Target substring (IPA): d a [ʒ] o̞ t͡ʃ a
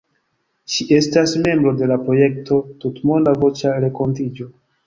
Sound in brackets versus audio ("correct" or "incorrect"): incorrect